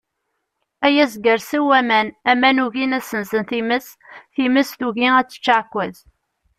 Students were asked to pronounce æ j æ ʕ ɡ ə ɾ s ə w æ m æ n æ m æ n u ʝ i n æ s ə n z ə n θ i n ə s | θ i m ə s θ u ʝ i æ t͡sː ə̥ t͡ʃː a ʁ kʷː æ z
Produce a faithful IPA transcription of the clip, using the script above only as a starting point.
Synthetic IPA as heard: æ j æ z ɡ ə ɾ s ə w æ m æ n æ m æ n u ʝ i n æ s ə n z ə n θ i m ə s | θ i m ə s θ u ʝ i æ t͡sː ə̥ t͡ʃː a ʕ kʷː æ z